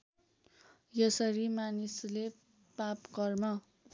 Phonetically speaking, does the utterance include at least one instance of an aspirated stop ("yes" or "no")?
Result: no